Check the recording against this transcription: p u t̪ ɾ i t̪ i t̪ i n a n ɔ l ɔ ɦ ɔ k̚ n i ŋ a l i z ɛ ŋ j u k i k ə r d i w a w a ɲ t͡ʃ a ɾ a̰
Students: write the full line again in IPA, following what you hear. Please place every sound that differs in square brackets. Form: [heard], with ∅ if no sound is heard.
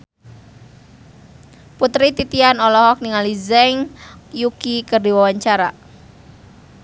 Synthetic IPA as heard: p u t̪ ɾ i t̪ i t̪ i [∅] a n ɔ l ɔ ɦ ɔ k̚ n i ŋ a l i z ɛ ŋ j u k i k ə r d i w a w a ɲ t͡ʃ a ɾ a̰